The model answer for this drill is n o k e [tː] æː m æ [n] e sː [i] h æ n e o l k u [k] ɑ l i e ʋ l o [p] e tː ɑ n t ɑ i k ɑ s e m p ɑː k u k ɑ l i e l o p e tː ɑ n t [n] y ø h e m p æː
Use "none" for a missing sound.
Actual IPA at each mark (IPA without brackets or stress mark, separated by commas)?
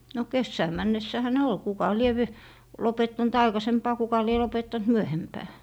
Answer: sː, nː, æ, k, p, m